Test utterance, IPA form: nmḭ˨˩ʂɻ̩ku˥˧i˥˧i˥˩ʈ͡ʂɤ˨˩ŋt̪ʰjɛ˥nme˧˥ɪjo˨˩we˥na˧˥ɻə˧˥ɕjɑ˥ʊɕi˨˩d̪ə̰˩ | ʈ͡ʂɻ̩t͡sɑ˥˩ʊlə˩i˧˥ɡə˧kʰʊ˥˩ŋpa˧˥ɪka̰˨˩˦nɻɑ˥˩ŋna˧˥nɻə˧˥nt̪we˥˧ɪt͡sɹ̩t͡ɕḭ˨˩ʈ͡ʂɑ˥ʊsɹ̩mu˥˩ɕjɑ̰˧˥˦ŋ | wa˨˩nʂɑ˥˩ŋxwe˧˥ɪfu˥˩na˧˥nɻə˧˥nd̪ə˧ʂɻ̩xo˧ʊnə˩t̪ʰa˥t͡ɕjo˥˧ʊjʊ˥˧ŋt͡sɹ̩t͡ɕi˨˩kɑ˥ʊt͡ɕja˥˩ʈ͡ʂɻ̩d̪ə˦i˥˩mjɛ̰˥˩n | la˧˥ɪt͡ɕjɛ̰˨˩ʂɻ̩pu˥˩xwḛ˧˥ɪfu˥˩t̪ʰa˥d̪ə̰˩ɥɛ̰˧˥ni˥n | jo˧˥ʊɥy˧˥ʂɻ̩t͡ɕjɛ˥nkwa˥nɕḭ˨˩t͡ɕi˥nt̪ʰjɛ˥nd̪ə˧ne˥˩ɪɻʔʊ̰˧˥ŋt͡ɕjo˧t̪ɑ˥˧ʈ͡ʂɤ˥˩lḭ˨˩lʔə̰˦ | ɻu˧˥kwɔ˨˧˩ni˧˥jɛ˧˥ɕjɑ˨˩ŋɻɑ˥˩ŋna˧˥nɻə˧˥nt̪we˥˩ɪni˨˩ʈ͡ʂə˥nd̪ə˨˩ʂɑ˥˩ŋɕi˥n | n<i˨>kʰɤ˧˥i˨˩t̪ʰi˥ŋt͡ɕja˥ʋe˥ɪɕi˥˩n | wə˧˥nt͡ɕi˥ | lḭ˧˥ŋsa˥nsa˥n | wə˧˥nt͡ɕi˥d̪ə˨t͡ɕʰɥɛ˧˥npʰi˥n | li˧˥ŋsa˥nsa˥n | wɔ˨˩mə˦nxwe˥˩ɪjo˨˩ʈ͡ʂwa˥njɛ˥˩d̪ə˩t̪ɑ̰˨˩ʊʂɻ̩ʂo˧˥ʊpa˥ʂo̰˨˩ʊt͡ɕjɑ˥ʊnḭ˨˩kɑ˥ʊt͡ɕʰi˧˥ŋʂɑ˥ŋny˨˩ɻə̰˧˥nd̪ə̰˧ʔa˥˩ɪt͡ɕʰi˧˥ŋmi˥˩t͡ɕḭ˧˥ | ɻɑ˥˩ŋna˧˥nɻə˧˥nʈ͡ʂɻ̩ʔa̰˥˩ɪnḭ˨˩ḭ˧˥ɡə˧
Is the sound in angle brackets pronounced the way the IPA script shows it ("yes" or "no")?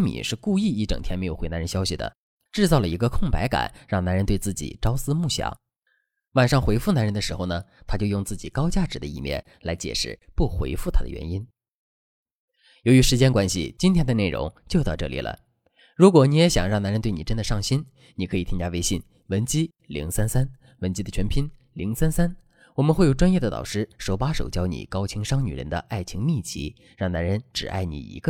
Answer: yes